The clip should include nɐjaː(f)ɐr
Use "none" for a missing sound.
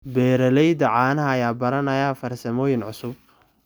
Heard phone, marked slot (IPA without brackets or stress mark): f